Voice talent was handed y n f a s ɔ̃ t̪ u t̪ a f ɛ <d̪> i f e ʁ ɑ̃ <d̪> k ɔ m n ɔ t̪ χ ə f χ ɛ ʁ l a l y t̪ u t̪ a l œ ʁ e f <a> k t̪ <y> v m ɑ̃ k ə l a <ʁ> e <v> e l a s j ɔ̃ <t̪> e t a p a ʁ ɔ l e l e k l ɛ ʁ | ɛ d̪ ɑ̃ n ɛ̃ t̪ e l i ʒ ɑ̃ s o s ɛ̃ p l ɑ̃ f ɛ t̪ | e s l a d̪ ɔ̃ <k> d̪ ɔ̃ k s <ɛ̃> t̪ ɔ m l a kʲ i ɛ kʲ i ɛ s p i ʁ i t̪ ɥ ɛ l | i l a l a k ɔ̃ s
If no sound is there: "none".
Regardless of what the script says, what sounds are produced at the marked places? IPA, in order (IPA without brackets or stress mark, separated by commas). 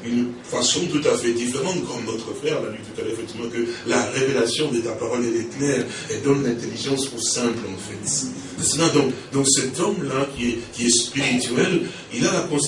d̪, t̪, ɛ, i, ʁ, v, d̪, k, ɛ